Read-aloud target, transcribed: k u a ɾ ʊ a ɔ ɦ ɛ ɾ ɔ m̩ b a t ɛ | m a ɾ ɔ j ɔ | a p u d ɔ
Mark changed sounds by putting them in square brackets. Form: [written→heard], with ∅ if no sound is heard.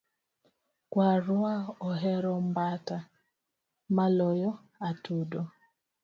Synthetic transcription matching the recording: k [u→w] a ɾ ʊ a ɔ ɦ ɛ ɾ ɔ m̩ b a t [ɛ→a] | m a [ɾ→l] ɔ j ɔ | a [p→t] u d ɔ